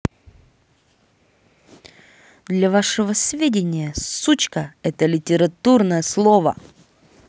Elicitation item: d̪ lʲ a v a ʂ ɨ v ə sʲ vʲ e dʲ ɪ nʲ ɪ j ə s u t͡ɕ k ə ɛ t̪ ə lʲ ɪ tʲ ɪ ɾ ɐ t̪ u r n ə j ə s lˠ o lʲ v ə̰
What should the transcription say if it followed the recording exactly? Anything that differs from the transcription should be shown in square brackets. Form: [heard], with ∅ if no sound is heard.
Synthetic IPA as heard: d̪ lʲ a v a ʂ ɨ v ə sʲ vʲ e dʲ ɪ nʲ ɪ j ə s u t͡ɕ k ə ɛ t̪ ə lʲ ɪ tʲ ɪ ɾ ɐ t̪ u r n ə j ə s lˠ o [∅] v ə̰